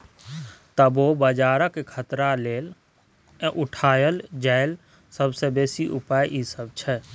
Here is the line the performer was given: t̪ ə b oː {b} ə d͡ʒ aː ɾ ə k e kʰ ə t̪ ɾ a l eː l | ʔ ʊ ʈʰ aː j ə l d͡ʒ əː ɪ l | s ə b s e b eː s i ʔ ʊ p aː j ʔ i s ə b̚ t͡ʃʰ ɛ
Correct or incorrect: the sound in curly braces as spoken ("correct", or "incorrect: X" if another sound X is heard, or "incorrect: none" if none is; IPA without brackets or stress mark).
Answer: correct